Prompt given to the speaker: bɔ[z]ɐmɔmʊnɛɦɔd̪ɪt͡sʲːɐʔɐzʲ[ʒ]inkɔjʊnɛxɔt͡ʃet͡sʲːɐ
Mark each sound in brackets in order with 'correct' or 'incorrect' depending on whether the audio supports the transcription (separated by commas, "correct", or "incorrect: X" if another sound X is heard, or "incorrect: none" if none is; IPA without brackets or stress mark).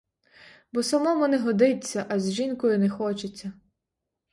incorrect: s, correct